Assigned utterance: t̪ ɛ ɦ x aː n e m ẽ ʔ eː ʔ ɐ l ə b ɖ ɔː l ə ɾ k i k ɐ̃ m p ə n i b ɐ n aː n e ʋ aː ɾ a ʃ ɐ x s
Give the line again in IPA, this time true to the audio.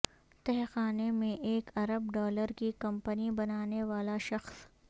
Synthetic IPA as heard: t̪ ɛ ɦ x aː n e m ẽ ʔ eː k ɐ ɾ ə b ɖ ɔː l ə ɾ k i k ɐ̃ m p ə n i b ɐ n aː n e ʋ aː l a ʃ ɐ x s